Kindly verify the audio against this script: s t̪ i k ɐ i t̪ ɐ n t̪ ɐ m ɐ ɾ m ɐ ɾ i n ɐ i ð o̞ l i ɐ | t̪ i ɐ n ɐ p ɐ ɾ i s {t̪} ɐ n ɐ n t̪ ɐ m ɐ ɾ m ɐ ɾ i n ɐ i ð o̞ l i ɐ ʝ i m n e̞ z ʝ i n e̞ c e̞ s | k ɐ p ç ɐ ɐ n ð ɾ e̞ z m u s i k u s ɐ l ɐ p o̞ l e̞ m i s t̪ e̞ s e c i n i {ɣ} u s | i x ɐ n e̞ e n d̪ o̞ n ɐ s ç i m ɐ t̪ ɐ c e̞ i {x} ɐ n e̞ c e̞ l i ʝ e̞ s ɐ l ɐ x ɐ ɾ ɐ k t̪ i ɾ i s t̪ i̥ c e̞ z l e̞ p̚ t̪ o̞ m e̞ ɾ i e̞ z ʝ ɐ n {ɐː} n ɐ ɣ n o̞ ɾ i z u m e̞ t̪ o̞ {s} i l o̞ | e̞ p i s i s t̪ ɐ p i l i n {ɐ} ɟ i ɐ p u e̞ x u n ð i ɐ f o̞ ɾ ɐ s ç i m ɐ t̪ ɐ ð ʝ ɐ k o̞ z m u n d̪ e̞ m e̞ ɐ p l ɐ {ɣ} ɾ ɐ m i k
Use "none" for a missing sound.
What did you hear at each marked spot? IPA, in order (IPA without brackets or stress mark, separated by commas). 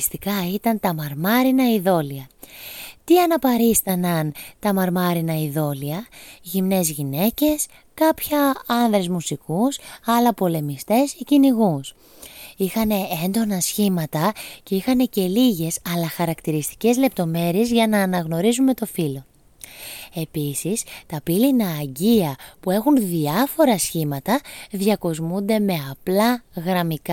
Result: t̪, ɣ, x, ɐː, f, ɐː, ɣ